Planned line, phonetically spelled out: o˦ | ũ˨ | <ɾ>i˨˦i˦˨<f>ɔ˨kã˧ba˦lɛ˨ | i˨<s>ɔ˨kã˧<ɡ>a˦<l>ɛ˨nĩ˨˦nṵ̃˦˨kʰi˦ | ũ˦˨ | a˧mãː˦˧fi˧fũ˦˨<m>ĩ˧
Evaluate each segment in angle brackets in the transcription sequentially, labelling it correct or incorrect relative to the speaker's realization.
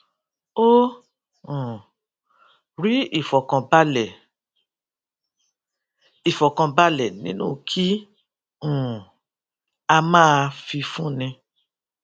correct, correct, incorrect: f, incorrect: b, correct, incorrect: n

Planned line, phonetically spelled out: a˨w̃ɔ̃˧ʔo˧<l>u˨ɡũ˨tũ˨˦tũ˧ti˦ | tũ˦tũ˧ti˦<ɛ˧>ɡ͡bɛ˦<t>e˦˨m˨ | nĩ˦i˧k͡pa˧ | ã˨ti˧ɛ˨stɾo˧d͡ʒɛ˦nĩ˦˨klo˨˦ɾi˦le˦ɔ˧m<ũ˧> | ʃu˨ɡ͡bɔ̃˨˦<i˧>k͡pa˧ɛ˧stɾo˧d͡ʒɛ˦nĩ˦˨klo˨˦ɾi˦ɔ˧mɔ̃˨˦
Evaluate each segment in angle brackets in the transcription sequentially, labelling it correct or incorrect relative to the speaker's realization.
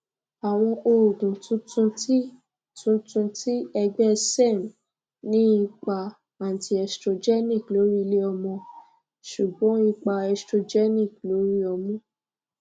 incorrect: ɾ, correct, incorrect: s, incorrect: ɔ̃˧, correct

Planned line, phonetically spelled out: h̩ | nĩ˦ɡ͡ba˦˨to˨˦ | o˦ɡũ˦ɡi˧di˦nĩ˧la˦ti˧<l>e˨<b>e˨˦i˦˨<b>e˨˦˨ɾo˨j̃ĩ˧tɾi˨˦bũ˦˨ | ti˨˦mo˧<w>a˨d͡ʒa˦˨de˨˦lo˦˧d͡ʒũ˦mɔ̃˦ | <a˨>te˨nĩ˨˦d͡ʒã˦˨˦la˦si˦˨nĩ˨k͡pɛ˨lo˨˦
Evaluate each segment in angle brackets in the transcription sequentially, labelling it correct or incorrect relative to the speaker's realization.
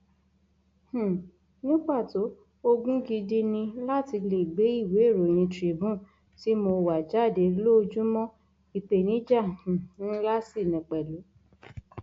correct, incorrect: ɡ͡b, incorrect: w, correct, incorrect: i˨

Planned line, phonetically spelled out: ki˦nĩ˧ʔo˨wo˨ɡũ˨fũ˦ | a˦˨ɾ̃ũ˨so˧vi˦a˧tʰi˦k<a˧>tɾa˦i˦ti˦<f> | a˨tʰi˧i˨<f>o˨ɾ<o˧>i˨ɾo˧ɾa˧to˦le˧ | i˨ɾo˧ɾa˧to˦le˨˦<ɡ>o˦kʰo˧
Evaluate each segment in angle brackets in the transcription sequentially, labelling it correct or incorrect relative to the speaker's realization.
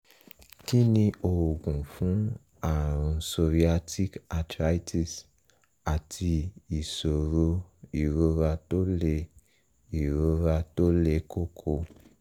correct, incorrect: s, incorrect: s, correct, incorrect: k

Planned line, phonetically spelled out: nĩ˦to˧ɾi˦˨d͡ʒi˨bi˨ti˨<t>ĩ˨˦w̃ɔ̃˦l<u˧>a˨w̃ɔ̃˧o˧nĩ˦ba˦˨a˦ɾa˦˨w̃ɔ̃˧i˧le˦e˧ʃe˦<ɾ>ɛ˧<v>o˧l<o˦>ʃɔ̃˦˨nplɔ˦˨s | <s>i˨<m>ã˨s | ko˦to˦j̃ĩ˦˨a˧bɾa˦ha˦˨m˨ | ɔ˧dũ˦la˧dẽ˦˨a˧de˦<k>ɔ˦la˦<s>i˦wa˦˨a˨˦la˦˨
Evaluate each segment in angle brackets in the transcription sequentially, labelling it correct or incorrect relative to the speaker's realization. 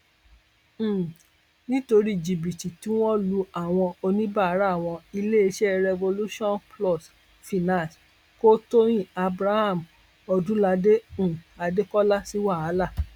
correct, correct, correct, correct, incorrect: u˦, incorrect: f, incorrect: n, correct, correct

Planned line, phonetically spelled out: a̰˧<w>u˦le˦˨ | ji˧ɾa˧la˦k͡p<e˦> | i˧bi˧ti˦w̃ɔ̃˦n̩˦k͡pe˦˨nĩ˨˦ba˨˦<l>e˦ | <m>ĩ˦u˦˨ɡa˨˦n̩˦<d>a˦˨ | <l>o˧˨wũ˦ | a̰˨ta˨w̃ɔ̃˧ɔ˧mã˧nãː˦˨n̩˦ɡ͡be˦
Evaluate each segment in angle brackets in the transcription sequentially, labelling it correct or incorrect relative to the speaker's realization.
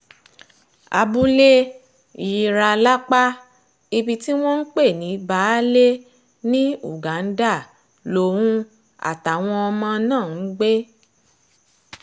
incorrect: b, incorrect: a˦, correct, incorrect: n, correct, correct

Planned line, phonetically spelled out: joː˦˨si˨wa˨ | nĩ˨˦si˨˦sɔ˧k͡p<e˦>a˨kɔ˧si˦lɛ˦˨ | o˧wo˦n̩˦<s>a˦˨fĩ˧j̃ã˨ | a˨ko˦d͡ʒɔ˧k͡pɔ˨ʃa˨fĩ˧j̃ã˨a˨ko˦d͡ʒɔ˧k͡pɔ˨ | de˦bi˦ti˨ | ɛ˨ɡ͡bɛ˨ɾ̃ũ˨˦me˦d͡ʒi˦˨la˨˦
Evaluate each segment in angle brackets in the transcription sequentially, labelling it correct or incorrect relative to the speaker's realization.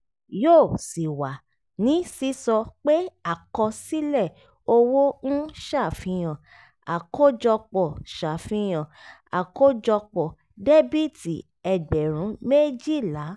correct, incorrect: ʃ

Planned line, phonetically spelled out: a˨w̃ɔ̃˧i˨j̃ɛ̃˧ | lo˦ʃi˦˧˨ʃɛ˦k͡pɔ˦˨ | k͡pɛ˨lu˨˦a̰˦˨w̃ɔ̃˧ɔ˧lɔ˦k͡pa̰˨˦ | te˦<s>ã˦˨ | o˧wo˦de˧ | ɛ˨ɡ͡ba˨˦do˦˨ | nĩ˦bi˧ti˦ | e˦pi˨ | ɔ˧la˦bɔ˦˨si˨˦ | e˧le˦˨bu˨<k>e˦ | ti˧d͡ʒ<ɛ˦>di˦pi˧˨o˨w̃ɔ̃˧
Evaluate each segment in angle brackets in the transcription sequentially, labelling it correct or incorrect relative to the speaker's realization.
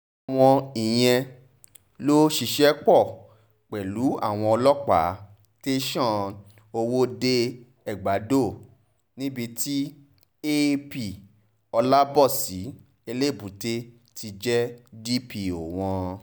incorrect: ʃ, incorrect: t, correct

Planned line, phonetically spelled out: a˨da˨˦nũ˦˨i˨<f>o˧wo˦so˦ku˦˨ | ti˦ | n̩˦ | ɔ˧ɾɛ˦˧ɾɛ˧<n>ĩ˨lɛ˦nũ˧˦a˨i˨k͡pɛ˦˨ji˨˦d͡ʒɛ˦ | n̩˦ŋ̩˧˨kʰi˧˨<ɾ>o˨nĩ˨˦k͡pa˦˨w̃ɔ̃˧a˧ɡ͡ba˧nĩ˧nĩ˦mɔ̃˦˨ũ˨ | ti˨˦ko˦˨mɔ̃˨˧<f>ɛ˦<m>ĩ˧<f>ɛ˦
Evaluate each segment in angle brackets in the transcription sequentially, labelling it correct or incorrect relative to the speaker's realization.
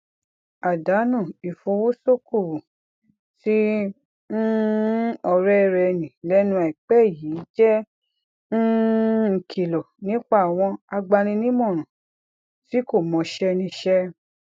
correct, correct, incorrect: l, incorrect: ʃ, incorrect: n, incorrect: ʃ

